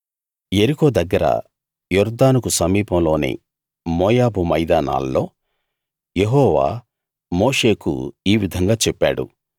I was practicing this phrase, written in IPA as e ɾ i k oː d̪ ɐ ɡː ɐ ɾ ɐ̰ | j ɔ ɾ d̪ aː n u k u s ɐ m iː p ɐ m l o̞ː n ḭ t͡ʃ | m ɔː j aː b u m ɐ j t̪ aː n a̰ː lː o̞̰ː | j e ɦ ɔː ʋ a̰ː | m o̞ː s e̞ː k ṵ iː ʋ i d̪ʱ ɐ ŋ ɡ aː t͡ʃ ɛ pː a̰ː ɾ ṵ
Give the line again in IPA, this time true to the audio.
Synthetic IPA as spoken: e ɾ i k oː d̪ ɐ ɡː ɐ ɾ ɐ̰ | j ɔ ɾ d̪ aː n u k u s ɐ m iː p ɐ m l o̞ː n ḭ | m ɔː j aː b u m ɐ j d̪ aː n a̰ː lː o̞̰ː | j e ɦ ɔː ʋ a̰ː | m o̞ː ʂ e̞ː k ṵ iː ʋ i d̪ʱ ɐ ŋ ɡ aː t͡ʃ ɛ pː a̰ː ɽ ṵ